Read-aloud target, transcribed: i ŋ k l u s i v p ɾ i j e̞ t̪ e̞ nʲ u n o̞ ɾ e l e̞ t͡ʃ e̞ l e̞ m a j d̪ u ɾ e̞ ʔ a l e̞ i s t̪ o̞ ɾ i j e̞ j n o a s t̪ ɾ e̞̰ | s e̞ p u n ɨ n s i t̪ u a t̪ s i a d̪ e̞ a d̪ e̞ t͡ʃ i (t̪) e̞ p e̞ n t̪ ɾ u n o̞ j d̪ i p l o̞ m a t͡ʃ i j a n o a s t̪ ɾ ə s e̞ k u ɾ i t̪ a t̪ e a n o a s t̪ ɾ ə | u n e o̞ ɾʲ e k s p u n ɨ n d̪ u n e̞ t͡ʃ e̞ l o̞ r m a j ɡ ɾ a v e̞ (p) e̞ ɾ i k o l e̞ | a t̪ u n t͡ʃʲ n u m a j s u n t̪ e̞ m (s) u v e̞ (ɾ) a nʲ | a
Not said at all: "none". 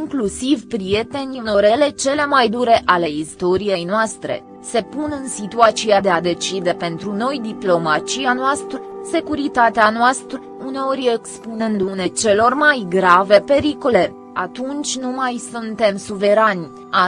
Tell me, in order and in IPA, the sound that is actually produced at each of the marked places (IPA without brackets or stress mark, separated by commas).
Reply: d̪, p, s, ɾ